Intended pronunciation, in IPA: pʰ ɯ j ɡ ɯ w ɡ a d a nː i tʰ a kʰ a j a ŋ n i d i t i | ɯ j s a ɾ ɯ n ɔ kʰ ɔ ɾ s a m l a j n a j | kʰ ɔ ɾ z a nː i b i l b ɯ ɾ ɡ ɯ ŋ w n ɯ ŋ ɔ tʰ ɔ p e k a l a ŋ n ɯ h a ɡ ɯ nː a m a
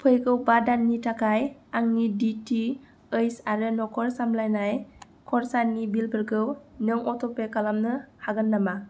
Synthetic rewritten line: pʰ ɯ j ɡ ɯ w b a d a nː i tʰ a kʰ a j a ŋ n i d i t i | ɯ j s a ɾ ɯ n ɔ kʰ ɔ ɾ s a m l a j n a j | kʰ ɔ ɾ s a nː i b i l b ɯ ɾ ɡ ɯ w n ɯ ŋ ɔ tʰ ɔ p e k a l a m n ɯ h a ɡ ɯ nː a m a